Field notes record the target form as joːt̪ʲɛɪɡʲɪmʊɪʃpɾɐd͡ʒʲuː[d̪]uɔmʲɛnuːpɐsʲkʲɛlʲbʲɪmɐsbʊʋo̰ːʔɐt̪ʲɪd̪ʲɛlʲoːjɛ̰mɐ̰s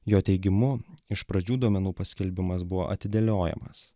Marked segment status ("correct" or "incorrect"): correct